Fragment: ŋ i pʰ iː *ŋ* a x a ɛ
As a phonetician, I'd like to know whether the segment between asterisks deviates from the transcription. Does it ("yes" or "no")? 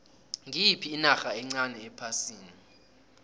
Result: yes